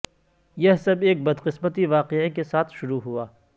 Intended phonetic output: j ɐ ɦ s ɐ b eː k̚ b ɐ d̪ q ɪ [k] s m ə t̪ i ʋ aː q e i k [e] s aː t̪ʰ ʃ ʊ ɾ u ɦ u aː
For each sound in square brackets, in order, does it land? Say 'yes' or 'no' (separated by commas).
no, yes